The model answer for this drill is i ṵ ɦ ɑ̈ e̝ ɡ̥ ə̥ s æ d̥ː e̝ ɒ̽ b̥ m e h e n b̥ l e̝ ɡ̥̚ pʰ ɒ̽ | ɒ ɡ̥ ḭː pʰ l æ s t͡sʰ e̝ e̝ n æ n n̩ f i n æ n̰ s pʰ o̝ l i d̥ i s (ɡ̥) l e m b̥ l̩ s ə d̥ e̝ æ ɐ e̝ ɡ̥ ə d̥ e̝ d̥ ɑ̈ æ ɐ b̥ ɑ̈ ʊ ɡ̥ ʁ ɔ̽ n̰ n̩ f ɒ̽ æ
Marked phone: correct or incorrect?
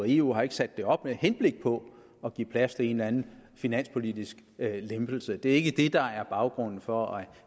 correct